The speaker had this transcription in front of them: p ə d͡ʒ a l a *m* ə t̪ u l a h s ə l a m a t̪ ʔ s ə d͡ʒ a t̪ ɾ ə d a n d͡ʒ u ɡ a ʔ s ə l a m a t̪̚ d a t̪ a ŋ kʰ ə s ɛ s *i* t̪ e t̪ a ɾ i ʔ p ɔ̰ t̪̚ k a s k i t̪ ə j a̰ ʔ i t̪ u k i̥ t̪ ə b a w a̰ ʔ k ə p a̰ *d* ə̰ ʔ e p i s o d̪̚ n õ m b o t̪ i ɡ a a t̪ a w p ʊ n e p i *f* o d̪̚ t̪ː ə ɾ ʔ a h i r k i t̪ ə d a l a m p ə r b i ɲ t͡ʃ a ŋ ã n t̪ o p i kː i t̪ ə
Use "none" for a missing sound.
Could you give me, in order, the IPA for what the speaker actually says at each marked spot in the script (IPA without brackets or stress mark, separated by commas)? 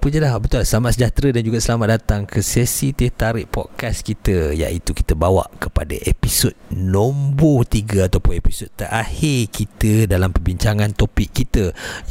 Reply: b, i, d, s